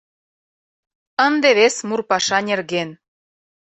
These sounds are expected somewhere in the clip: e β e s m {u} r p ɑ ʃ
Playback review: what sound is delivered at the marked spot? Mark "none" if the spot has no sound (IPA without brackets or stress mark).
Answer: u